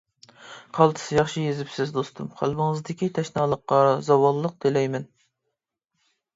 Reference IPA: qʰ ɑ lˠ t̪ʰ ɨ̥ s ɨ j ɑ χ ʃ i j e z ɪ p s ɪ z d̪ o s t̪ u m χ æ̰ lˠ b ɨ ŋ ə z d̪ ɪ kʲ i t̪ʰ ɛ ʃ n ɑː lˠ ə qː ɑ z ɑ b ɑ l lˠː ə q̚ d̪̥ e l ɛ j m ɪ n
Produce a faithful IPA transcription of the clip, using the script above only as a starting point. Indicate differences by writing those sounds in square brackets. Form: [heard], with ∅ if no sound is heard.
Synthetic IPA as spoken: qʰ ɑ lˠ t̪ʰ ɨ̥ s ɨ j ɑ χ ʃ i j e z ɪ p s ɪ z d̪ o s t̪ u m χ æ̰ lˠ b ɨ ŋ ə z d̪ ɪ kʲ i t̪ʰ ɛ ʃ n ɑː lˠ ə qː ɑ z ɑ [w] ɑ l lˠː ə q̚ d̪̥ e l ɛ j m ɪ n